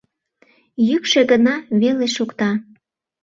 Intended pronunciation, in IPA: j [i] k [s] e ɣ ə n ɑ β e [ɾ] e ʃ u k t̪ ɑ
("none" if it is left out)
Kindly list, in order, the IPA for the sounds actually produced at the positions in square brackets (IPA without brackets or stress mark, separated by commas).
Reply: y, ʃ, l